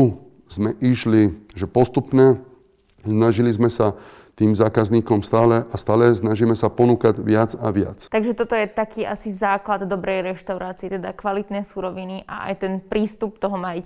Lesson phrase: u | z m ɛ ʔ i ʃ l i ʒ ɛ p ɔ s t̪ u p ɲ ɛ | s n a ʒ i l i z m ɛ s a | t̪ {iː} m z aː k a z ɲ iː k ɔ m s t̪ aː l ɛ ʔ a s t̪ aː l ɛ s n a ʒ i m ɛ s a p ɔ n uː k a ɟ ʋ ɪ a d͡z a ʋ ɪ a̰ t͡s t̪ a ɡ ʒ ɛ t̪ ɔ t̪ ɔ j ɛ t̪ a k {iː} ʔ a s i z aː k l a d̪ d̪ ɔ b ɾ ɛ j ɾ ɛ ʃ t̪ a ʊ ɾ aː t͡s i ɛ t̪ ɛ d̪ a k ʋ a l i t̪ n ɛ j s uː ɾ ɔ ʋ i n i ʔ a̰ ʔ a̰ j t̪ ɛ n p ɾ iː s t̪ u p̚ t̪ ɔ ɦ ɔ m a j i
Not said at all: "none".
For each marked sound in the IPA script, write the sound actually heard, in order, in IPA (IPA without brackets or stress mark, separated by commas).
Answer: iː, iː